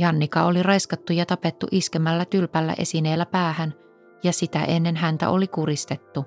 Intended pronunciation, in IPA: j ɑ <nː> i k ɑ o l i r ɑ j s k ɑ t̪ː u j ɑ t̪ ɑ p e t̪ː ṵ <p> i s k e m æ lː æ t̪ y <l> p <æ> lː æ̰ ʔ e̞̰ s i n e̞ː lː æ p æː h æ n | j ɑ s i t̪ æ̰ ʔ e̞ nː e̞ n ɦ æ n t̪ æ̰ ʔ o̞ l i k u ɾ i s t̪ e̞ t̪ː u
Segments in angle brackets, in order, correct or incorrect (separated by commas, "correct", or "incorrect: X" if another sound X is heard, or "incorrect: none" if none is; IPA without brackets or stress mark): correct, incorrect: ʔ, correct, correct